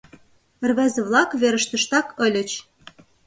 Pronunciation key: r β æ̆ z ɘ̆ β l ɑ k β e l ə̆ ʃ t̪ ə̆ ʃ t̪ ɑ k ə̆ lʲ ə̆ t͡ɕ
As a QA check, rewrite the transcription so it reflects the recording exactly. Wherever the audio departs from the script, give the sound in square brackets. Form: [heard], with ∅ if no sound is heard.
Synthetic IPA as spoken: r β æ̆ z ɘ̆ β l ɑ k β e [ɾ] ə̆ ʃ t̪ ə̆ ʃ t̪ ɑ k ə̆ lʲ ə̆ t͡ɕ

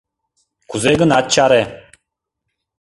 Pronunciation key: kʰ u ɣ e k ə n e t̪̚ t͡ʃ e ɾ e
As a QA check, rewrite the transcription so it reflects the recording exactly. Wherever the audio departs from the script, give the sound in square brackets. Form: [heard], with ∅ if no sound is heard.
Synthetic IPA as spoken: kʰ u [z] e [ɡ] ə n [a] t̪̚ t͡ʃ [a] ɾ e

